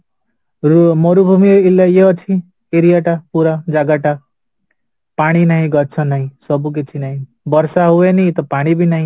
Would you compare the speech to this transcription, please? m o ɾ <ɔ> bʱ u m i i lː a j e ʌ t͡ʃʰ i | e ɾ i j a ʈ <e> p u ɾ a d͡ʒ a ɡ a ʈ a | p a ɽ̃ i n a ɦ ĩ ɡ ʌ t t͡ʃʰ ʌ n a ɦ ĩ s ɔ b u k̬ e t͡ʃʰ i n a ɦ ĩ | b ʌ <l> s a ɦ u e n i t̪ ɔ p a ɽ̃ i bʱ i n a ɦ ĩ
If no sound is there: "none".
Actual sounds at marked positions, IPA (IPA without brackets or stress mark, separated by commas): u, a, ɾ